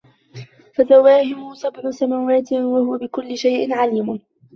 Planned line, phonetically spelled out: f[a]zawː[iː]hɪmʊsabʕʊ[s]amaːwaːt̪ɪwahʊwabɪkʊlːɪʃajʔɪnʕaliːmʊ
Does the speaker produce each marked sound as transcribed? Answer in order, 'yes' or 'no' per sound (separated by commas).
yes, no, yes